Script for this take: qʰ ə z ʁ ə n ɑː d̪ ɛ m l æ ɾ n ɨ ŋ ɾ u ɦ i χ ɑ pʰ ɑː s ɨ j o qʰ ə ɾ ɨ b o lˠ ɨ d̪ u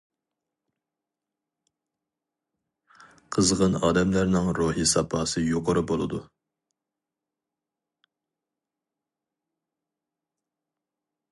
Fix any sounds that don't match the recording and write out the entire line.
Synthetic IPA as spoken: qʰ ə z ʁ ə n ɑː d̪ ɛ m l æ ɾ n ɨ ŋ ɾ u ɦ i s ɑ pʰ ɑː s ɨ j o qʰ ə ɾ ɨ b o lˠ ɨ d̪ u